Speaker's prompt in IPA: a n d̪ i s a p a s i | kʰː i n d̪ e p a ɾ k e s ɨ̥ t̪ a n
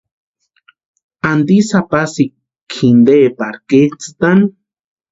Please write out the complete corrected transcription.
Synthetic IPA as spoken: a n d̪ i s a p a s i | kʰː i n d̪ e p a ɾ k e t͡s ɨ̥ t̪ a n